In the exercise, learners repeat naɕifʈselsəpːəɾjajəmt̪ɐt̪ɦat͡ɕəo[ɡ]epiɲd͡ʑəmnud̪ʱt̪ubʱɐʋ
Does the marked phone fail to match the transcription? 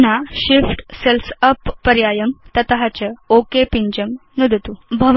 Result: yes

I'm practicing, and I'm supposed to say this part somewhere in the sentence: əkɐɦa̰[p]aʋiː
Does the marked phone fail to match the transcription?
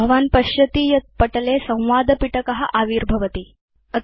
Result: yes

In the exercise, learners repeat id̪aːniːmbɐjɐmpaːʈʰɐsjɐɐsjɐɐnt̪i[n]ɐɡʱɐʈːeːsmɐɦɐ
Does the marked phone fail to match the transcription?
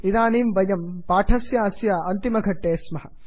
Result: yes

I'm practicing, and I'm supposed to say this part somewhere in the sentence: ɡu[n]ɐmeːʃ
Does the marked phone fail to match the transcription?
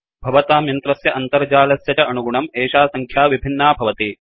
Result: yes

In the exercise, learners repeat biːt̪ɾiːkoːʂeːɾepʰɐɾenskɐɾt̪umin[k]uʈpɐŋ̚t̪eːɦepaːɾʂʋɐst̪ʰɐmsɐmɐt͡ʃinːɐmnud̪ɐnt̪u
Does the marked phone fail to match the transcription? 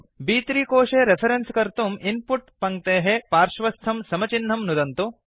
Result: yes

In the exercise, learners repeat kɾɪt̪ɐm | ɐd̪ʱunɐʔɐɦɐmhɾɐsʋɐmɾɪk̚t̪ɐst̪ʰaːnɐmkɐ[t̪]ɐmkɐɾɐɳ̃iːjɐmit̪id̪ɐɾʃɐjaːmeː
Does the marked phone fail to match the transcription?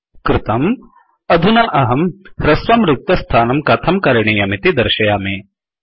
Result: yes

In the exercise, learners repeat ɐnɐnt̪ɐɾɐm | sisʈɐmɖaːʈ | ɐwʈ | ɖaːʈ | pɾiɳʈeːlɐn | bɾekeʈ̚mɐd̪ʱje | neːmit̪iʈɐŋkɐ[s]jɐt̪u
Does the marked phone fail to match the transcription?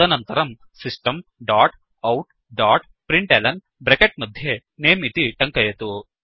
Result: yes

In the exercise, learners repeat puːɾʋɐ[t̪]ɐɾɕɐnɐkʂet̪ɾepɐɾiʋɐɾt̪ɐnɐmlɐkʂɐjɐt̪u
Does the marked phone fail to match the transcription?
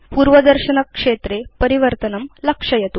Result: yes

